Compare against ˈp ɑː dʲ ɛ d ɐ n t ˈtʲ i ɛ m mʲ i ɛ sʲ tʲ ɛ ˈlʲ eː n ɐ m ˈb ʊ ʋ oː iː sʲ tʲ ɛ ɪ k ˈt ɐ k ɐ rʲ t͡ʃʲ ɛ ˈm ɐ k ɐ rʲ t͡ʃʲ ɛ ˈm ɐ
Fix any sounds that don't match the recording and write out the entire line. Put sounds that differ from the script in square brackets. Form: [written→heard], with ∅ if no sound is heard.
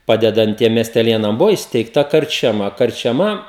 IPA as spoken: ˈp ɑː dʲ ɛ d ɐ n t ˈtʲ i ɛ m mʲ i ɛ sʲ tʲ ɛ ˈlʲ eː n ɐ m ˈb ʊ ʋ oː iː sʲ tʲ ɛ ɪ k ˈt ɐ k ɐ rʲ t͡ʃʲ ɛ ˈm ɐ k ɐ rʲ t͡ʃʲ ɛ ˈm ɐ